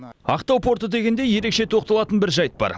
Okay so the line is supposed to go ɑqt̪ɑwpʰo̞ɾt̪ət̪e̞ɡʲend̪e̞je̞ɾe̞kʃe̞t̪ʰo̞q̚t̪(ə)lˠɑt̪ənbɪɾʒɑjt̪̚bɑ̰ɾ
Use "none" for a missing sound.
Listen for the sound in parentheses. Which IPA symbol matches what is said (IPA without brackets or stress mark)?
ɑ